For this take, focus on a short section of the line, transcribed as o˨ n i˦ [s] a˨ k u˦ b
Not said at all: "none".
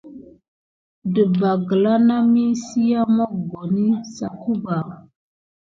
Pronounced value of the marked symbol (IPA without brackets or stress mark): s